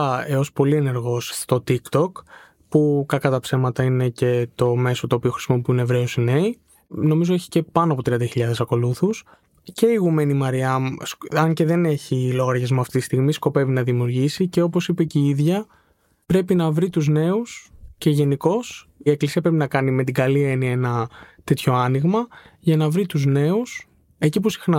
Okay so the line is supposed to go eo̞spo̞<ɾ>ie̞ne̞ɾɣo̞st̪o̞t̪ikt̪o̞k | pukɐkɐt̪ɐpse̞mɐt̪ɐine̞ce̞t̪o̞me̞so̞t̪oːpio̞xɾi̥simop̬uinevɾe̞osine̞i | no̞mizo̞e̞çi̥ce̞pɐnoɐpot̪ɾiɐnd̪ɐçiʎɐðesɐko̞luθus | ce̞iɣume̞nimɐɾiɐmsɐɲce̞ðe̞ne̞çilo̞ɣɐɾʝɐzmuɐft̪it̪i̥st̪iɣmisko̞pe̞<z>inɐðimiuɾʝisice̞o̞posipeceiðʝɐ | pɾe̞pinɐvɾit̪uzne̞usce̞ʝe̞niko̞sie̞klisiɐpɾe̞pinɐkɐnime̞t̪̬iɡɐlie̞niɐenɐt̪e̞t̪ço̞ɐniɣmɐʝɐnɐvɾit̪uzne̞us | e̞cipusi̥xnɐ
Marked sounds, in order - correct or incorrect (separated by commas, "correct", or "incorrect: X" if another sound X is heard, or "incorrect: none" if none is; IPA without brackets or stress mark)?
incorrect: l, incorrect: v